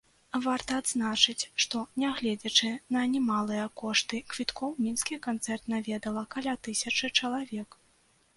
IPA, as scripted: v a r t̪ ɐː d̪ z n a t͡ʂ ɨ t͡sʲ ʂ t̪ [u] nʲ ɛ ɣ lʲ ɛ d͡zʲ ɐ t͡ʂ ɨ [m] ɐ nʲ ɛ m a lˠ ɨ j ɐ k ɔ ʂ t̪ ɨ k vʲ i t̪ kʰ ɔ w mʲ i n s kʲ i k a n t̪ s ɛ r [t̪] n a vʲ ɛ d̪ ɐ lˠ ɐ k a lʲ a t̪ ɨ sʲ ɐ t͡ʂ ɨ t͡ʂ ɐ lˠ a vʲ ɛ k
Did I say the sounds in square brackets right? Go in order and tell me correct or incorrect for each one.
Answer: incorrect, incorrect, correct

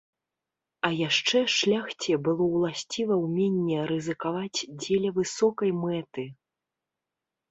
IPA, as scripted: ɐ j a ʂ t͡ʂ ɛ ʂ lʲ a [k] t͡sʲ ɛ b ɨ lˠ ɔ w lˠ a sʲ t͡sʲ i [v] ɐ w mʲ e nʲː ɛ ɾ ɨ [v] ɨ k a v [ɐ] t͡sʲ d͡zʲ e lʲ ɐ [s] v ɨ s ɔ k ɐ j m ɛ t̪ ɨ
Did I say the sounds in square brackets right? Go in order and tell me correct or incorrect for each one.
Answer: incorrect, correct, incorrect, incorrect, incorrect

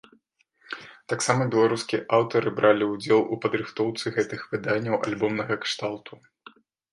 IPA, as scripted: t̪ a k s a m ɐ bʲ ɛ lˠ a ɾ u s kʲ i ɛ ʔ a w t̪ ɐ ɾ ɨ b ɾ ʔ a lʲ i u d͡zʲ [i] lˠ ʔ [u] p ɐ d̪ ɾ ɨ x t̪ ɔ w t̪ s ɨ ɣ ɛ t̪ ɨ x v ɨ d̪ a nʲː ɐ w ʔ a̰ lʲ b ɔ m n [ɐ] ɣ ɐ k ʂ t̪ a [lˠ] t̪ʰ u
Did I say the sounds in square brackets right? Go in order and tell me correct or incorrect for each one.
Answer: incorrect, correct, correct, correct

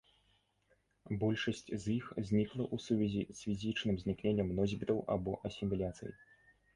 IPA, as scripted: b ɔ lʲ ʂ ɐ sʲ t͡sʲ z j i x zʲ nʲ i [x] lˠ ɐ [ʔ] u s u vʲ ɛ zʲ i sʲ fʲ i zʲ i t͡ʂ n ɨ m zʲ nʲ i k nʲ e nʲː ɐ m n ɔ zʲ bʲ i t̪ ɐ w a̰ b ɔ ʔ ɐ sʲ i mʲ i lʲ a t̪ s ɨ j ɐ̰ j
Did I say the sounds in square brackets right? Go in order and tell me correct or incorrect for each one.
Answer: incorrect, correct

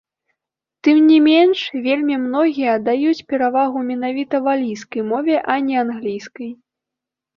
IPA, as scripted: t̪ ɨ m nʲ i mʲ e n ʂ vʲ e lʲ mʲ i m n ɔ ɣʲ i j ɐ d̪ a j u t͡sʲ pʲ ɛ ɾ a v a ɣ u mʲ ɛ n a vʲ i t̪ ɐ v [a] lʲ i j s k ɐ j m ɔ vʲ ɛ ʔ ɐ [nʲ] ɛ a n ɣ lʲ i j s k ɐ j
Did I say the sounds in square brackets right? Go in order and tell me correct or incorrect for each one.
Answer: correct, correct

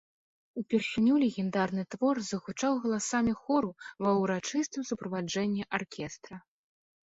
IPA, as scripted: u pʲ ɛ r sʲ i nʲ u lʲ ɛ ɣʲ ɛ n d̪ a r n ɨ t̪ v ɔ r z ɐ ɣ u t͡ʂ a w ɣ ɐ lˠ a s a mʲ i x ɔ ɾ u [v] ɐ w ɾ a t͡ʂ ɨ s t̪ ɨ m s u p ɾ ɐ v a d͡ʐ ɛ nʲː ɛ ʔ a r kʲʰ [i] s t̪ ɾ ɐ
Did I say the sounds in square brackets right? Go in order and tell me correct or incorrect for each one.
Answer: correct, incorrect

